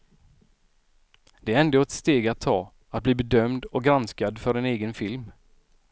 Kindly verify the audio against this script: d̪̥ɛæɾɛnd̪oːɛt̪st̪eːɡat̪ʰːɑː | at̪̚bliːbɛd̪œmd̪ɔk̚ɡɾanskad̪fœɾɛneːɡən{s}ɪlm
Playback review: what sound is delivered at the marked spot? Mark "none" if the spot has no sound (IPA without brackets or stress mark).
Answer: f